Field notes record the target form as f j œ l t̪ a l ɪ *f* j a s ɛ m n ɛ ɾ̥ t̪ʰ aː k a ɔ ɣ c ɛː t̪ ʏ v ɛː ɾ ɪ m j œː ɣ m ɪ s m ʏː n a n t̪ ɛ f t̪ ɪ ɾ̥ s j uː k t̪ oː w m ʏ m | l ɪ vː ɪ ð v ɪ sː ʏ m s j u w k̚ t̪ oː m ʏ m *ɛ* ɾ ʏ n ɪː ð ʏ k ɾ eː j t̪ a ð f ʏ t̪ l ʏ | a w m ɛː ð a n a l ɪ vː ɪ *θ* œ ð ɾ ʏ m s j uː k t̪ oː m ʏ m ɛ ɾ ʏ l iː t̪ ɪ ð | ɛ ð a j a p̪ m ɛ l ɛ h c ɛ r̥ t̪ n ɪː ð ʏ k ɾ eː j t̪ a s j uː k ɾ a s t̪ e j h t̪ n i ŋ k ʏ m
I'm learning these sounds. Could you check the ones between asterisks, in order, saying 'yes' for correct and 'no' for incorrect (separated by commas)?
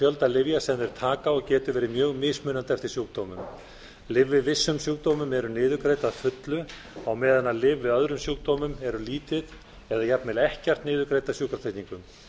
no, yes, no